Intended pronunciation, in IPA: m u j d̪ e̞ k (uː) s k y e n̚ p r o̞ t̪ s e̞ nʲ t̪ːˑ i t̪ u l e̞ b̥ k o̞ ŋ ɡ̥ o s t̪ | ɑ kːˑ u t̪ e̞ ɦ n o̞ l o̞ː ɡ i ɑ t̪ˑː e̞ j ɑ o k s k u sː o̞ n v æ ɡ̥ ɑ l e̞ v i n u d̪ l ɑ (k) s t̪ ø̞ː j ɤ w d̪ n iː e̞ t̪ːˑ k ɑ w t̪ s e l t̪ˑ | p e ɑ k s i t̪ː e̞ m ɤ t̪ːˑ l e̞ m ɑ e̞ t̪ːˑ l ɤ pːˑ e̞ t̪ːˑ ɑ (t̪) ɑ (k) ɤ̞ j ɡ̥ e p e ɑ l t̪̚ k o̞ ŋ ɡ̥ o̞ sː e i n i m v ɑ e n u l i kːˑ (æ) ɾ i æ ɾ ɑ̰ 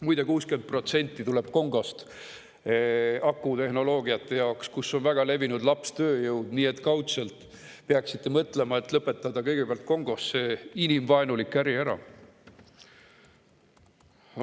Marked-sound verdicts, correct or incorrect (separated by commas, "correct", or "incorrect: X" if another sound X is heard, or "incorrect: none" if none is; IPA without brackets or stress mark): correct, incorrect: p, incorrect: d̪, correct, correct